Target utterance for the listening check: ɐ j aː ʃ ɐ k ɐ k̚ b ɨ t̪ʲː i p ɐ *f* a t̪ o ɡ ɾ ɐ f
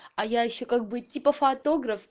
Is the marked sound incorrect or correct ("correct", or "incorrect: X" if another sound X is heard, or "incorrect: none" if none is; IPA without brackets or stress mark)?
correct